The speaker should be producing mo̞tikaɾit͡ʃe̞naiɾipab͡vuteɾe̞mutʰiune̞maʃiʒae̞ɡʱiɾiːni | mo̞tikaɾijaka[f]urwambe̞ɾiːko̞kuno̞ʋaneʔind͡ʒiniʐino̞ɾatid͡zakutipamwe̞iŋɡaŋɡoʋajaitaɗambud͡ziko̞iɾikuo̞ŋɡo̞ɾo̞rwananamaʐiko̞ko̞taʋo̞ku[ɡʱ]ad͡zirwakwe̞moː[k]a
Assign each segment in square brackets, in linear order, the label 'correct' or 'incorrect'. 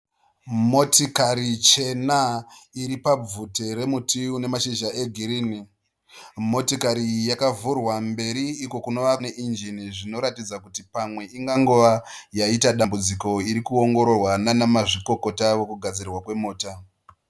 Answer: incorrect, correct, incorrect

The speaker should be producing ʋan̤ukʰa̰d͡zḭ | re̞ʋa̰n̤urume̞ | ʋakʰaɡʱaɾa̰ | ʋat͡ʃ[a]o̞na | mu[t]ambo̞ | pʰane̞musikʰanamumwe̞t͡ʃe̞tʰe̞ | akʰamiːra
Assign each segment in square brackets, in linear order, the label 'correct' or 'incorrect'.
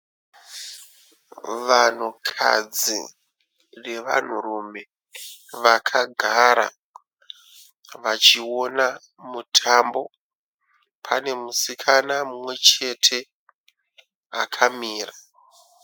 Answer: incorrect, incorrect

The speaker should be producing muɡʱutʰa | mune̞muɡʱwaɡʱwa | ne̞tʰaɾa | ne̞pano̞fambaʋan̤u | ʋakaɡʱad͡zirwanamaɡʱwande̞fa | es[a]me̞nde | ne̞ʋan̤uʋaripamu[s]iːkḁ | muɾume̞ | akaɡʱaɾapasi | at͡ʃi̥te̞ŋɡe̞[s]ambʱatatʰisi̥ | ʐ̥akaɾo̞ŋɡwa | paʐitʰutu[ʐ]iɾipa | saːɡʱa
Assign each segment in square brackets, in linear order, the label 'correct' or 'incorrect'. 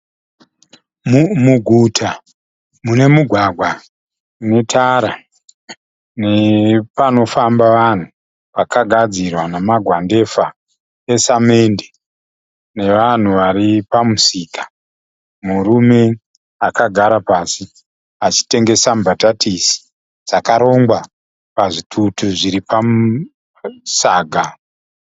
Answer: correct, correct, correct, correct

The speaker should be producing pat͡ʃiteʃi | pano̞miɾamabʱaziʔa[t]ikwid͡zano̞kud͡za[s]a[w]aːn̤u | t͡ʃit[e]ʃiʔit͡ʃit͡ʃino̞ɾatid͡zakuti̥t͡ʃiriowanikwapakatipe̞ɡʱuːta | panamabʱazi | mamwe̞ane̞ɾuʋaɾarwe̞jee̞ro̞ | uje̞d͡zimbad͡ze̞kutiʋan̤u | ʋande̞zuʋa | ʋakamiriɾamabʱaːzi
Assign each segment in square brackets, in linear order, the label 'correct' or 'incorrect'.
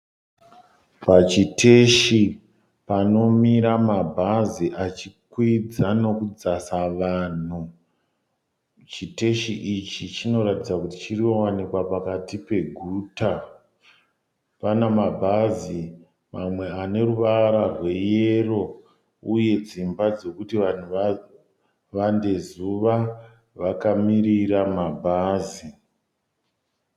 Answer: incorrect, correct, incorrect, correct

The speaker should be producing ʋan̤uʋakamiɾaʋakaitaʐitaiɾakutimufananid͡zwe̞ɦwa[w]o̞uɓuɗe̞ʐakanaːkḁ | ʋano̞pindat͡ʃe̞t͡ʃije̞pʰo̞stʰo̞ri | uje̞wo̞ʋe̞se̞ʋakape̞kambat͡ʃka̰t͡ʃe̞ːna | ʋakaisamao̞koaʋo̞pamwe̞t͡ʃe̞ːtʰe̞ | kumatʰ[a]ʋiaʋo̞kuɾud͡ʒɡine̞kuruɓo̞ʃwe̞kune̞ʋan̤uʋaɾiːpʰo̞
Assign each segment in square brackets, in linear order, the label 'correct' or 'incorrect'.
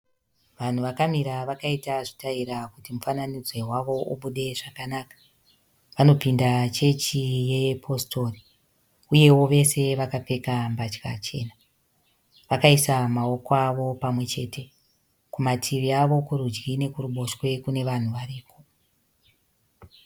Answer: incorrect, incorrect

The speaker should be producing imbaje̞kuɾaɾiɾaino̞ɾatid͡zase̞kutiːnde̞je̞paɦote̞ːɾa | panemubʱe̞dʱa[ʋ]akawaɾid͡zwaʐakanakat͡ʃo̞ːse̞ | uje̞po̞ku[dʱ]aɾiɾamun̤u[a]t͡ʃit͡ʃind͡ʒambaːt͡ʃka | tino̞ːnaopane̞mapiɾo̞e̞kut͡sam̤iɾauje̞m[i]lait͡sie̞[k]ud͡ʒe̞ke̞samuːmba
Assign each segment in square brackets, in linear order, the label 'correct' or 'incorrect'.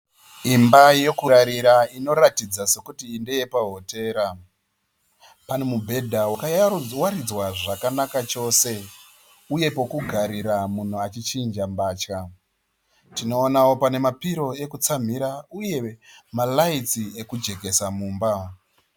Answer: incorrect, incorrect, correct, incorrect, correct

